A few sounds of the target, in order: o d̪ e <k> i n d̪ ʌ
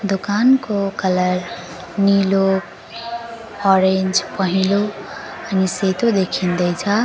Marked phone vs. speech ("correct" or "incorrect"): incorrect